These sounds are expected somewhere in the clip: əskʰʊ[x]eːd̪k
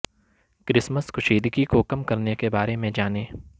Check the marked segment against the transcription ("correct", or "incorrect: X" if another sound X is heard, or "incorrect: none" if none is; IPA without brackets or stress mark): incorrect: ʃ